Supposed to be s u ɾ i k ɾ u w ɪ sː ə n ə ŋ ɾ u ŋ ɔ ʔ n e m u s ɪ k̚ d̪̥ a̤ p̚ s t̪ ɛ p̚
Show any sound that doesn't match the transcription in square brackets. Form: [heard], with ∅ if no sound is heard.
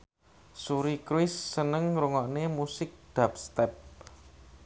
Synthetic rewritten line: s u ɾ i k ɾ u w ɪ sː ə n ə ŋ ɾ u ŋ ɔ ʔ n e m u s ɪ k̚ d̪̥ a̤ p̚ s t̪ ɛ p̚